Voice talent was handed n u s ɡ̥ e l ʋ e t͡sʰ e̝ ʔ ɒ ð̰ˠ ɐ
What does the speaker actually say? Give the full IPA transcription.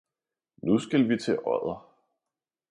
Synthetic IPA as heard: n u s ɡ̥ æ l ʋ i t͡sʰ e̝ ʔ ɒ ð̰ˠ ɐ